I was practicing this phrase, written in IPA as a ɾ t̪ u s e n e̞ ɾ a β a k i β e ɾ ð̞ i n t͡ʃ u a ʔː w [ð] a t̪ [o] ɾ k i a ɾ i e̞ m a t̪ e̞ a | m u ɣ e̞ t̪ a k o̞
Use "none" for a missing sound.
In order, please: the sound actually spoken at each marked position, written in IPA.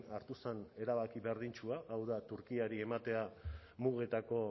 ð, u

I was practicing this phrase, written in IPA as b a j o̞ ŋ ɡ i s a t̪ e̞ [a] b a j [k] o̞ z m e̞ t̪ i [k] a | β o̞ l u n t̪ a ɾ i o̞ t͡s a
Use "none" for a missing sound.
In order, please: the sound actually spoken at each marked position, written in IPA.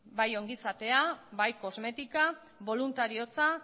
a, k, k

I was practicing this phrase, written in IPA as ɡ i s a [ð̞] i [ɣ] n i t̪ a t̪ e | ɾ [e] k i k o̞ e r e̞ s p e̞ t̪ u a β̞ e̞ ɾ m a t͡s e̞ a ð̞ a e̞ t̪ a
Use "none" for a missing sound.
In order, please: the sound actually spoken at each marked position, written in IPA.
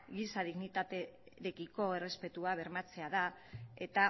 ð̞, ɣ, e

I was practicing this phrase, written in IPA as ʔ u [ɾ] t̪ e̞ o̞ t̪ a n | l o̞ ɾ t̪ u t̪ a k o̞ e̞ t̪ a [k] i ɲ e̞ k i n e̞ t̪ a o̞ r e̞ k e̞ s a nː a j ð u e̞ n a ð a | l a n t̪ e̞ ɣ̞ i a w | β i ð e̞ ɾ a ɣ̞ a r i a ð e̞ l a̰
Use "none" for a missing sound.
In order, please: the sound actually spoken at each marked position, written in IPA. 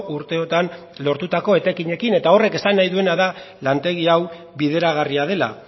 ɾ, k

